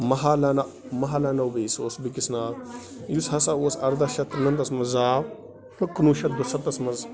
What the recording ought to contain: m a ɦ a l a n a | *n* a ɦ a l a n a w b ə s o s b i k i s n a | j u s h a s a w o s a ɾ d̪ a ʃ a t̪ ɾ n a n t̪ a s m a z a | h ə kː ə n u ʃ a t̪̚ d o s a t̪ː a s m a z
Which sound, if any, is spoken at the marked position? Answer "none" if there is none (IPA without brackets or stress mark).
m